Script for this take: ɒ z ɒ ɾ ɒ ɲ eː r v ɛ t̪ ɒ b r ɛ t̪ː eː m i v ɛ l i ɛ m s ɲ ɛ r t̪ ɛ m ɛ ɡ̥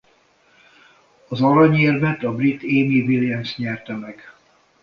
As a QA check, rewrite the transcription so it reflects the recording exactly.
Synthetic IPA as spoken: ɒ z ɒ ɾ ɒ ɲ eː r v ɛ t̪ ɒ b r i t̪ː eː m i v i l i ɛ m s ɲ ɛ r t̪ ɛ m ɛ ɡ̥